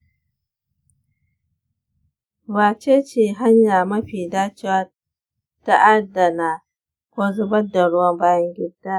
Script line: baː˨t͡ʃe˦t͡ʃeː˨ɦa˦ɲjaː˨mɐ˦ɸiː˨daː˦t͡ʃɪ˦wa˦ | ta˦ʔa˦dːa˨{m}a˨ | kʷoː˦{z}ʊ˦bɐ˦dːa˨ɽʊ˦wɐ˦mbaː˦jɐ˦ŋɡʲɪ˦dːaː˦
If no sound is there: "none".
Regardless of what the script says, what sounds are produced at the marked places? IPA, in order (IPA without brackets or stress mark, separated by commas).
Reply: n, z